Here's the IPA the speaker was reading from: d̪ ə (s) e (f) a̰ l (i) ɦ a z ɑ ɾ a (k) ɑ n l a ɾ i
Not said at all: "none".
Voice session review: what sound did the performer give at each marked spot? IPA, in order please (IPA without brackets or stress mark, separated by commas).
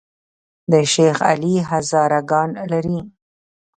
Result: ʃ, x, i, ɡ